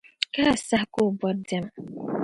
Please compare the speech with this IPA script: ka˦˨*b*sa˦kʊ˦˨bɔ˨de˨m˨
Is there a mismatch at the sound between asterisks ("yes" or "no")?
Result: yes